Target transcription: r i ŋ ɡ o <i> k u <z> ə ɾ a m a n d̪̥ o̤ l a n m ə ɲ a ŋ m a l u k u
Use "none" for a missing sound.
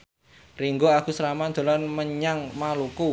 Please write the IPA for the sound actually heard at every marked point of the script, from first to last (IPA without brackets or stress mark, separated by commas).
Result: a, s